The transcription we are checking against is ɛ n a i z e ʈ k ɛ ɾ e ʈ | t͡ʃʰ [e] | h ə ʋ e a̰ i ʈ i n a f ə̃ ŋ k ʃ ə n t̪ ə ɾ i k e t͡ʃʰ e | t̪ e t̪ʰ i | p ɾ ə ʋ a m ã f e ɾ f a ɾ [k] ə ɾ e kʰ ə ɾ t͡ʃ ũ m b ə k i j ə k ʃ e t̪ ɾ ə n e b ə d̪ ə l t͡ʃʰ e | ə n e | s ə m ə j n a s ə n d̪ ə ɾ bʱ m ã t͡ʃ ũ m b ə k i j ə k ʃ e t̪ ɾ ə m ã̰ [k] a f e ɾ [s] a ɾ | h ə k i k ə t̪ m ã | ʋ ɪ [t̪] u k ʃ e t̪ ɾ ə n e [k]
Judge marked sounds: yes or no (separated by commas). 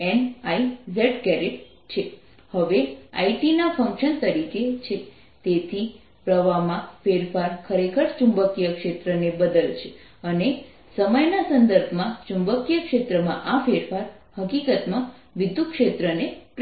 yes, no, no, no, no, no